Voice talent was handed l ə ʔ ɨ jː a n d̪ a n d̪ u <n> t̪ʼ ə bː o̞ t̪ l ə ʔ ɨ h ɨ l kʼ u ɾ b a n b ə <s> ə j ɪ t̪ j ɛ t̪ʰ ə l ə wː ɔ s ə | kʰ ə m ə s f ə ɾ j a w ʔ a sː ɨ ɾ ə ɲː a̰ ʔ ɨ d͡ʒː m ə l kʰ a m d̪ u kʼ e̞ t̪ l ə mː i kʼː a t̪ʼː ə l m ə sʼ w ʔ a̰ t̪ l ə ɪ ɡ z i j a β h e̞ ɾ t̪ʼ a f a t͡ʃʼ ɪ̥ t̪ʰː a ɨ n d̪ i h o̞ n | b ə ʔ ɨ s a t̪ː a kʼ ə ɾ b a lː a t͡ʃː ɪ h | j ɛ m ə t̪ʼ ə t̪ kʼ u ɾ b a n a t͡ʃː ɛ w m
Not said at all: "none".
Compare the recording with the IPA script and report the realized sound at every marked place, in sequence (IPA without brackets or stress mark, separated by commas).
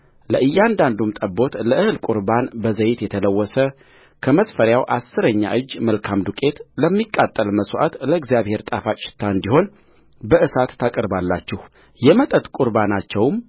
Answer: m, z